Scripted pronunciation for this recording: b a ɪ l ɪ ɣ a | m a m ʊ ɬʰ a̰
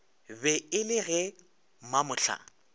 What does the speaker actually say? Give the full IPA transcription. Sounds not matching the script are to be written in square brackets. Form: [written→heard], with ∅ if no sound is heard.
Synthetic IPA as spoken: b [a→ɛ] ɪ l ɪ ɣ [a→ɛ] | m a m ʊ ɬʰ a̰